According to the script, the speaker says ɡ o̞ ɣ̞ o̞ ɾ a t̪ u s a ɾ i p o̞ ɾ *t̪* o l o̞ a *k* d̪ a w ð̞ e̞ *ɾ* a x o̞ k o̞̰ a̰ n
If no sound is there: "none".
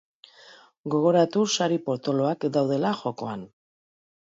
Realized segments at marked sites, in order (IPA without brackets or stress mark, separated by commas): t̪, k, l